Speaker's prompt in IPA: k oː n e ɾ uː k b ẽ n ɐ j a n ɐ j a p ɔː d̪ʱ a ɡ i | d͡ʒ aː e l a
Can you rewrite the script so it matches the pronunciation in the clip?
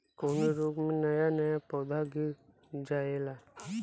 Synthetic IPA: k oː n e ɾ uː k m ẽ n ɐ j a n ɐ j a p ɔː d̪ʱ a ɡ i | d͡ʒ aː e l a